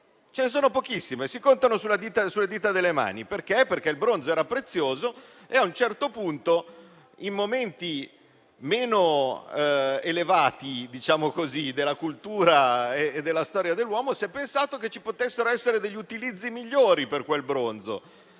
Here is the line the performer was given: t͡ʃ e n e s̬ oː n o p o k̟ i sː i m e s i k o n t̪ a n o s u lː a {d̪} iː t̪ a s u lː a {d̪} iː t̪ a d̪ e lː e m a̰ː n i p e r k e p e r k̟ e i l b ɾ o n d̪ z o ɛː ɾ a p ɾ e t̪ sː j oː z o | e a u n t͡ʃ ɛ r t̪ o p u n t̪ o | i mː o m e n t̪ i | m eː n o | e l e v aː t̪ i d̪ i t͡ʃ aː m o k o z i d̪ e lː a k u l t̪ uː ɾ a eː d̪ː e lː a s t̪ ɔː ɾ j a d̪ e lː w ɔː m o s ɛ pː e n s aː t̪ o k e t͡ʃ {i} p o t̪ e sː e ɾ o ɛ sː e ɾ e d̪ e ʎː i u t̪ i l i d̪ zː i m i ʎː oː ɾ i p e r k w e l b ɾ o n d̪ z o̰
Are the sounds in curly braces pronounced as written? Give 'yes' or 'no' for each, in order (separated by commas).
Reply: yes, yes, yes